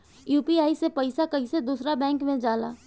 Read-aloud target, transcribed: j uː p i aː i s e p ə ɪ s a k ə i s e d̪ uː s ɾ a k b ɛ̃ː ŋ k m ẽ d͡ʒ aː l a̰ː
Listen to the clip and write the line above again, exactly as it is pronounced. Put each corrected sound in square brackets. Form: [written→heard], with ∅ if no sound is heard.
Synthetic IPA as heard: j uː p i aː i s e p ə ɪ s a k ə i s e d̪ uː s ɾ a [k→∅] b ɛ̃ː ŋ k m ẽ d͡ʒ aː l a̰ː

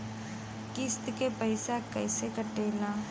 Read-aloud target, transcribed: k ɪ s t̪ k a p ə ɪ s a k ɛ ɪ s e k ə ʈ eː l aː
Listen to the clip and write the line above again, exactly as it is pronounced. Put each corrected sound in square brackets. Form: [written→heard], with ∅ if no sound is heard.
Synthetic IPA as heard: k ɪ s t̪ k [a→e] p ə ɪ s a k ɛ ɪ s e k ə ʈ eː l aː

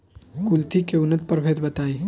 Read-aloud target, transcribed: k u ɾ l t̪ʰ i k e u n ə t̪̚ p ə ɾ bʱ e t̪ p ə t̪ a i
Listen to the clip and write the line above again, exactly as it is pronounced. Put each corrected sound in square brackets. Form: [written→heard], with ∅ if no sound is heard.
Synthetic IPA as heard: k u [ɾ→∅] l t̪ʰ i k e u n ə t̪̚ p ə ɾ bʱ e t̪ [p→b] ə t̪ a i

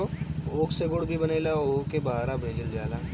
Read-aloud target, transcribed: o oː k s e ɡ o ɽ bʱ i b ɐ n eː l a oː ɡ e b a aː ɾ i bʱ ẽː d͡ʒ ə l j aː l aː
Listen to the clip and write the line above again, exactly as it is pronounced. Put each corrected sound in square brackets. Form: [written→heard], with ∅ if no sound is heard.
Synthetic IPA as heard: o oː k s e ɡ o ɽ bʱ i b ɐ n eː l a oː [ɡ→k] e b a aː ɾ [i→a] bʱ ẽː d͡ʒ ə l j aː l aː

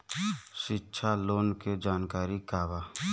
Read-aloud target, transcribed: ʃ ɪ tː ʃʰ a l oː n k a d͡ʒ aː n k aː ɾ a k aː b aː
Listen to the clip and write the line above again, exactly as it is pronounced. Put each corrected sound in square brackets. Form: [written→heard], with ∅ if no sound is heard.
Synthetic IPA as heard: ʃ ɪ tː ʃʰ a l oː n k [a→e] d͡ʒ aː n k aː ɾ [a→i] k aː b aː

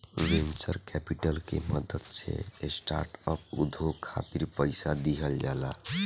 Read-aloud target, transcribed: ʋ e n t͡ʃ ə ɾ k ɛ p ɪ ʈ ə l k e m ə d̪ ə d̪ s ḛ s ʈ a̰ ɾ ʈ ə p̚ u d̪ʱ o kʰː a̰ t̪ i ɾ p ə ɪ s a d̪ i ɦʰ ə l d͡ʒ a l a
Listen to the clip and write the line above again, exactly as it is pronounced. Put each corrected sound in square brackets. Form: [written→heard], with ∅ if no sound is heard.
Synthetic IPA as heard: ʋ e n t͡ʃ ə ɾ k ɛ p [ɪ→i] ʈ ə l k e m ə d̪ ə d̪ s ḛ s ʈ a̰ ɾ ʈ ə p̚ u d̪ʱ o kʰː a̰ t̪ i ɾ p ə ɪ s a d̪ i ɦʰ ə l d͡ʒ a l a

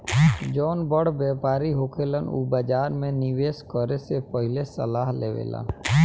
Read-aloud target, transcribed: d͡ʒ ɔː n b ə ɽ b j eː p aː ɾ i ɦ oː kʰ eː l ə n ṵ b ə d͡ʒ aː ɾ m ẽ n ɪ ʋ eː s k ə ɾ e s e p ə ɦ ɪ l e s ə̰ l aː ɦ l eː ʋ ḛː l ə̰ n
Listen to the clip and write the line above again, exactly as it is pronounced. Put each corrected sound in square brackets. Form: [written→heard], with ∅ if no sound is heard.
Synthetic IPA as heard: d͡ʒ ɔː n b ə ɽ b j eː p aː ɾ i ɦ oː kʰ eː l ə n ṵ b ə d͡ʒ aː ɾ m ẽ n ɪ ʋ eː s k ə ɾ e s e p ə ɦ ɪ l e s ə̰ l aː ɦ l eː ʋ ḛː l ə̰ n

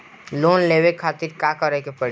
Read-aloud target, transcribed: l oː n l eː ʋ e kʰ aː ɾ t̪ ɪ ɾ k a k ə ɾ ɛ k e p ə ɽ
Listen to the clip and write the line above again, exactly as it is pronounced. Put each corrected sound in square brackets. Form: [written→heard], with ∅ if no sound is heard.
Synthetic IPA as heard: l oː n l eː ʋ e kʰ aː [ɾ→∅] t̪ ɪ ɾ k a k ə ɾ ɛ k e p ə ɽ

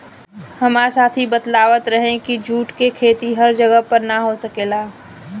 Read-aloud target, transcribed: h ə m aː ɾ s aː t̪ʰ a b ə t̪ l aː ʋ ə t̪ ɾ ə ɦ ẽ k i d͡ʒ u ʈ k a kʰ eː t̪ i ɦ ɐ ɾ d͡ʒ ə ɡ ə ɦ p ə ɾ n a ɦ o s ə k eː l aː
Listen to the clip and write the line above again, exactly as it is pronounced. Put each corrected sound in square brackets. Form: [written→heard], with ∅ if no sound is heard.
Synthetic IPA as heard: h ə m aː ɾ s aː t̪ʰ [a→i] b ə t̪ l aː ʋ ə t̪ ɾ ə ɦ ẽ k i d͡ʒ [u→uː] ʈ k [a→e] kʰ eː t̪ i ɦ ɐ ɾ d͡ʒ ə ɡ ə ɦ p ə ɾ n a ɦ o s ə k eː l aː

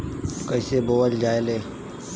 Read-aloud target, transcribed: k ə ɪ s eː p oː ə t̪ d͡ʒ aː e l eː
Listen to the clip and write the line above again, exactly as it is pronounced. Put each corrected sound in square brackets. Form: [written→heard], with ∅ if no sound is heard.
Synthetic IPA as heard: k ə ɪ s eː [p→b] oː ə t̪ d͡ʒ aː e l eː

